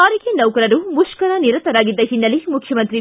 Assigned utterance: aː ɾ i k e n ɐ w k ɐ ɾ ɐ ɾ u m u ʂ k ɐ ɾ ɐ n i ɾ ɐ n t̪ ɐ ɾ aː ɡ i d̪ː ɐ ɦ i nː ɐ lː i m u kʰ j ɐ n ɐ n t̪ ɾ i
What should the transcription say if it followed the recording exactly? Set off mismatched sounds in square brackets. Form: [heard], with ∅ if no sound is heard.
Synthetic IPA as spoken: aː ɾ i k e n ɐ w k ɐ ɾ ɐ ɾ u m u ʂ k ɐ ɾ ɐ n i ɾ ɐ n t̪ ɐ ɾ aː ɡ i d̪ː ɐ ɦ i nː ɐ [l] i m u kʰ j ɐ [m] ɐ n t̪ ɾ i